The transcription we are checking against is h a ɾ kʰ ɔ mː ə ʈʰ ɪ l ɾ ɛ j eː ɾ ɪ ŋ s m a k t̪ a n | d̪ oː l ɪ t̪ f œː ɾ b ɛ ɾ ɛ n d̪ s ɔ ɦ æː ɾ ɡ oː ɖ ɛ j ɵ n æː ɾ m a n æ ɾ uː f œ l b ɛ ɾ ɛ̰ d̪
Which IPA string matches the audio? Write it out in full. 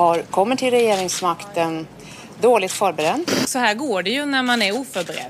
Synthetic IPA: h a ɾ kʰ ɔ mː ə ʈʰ ɪ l ɾ ɛ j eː ɾ ɪ ŋ s m a k t̪ ə n | d̪ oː l ɪ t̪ f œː ɾ b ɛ ɾ ɛ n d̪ s ɔ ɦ æː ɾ ɡ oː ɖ ɛ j ɵ n æ ɾ m a n æ ɾ uː f œ ɾ b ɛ ɾ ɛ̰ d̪